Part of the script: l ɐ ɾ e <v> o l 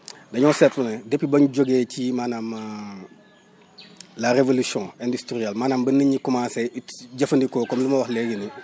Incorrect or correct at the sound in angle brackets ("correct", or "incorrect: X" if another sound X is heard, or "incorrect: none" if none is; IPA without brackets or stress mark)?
correct